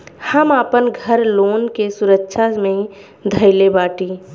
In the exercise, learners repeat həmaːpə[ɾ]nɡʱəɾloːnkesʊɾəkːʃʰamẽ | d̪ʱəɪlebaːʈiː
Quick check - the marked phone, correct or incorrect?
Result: incorrect